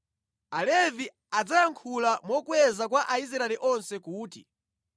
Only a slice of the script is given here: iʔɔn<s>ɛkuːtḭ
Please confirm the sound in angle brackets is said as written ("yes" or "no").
yes